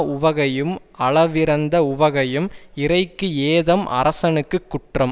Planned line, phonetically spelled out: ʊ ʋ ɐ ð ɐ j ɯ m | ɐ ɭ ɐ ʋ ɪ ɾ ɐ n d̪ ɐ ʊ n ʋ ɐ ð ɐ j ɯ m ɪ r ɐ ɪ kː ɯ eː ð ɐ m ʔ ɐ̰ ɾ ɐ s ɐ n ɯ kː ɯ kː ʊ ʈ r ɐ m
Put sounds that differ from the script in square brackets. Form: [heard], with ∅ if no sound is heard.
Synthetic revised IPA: ʊ ʋ ɐ [ɣ] ɐ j ɯ m | ɐ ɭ ɐ ʋ ɪ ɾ ɐ n d̪ ɐ ʊ [∅] ʋ ɐ [ɣ] ɐ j ɯ m ɪ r ɐ ɪ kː ɯ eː ð ɐ m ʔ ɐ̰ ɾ ɐ s ɐ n ɯ kː ɯ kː ʊ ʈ r ɐ m